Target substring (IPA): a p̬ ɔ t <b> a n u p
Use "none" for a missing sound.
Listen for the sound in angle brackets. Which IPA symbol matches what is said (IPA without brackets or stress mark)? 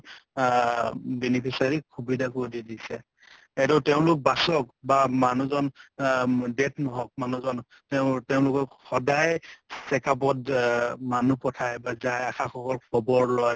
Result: m